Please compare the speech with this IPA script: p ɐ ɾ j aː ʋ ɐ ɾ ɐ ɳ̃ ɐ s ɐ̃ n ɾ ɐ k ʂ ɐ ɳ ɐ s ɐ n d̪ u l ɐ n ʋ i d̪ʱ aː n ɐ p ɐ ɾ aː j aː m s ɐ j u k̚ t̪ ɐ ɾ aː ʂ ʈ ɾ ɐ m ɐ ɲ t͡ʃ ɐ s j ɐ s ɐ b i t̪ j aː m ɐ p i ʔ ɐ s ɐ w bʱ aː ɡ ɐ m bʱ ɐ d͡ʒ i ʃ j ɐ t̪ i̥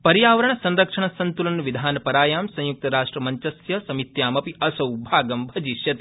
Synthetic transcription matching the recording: p ɐ ɾ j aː ʋ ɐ ɾ ɐ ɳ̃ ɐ s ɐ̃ n ɾ ɐ k ʂ ɐ ɳ ɐ s ɐ n t̪ u l ɐ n ʋ i d̪ʱ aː n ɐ p ɐ ɾ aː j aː m s ɐ̃ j u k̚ t̪ ɐ ɾ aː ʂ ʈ ɾ ɐ m ɐ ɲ t͡ʃ ɐ s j ɐ s ɐ m i t̪ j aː m ɐ p i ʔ ɐ s ɐ w bʱ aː ɡ ɐ m bʱ ɐ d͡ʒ i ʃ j ɐ t̪ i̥